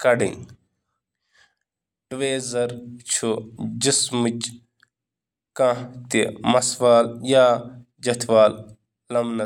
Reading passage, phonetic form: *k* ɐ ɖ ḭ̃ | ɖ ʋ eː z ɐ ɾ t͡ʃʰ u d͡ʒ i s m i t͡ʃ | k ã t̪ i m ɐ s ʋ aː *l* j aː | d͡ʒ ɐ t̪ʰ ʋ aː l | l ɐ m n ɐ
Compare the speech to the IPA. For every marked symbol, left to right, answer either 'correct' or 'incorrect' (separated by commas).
correct, correct